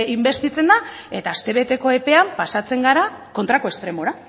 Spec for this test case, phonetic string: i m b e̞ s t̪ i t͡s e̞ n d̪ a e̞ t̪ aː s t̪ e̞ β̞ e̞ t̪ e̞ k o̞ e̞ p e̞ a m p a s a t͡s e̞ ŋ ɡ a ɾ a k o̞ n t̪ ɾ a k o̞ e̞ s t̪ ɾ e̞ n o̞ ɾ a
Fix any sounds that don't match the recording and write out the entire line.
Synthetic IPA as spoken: i m b e̞ s t̪ i t͡s e̞ n d̪ a e̞ t̪ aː s t̪ e̞ β̞ e̞ t̪ e̞ k o̞ e̞ p e̞ a m p a s a t͡s e̞ ŋ ɡ a ɾ a k o̞ n t̪ ɾ a k o̞ e̞ s t̪ ɾ e̞ m o̞ ɾ a